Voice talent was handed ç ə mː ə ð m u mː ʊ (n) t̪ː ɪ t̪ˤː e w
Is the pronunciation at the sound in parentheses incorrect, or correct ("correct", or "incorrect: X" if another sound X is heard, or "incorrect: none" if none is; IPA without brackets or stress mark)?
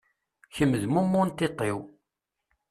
correct